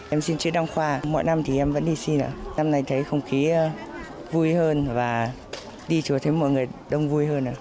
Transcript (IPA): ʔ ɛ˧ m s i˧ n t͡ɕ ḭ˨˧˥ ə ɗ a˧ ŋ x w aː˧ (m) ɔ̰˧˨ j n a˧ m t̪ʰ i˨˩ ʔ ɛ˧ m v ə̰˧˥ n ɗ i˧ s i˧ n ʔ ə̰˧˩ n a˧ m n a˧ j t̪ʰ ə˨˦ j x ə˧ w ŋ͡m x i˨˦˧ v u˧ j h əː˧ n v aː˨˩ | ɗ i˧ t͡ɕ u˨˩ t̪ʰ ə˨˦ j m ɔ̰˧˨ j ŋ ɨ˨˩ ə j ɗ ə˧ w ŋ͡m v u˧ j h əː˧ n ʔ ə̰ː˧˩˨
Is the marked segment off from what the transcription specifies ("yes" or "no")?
no